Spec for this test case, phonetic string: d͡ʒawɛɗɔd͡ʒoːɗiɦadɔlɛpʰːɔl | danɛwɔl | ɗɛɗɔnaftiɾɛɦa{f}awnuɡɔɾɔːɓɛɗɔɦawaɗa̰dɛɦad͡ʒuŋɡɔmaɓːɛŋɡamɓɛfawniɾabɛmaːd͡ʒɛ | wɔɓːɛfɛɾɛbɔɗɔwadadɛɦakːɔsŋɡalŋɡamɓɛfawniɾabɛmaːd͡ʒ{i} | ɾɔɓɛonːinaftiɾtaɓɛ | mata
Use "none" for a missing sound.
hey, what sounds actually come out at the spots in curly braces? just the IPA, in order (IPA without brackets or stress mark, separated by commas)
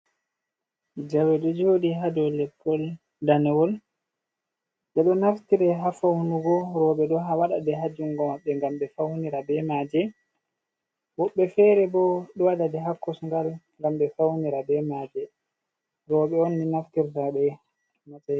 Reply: f, ɛ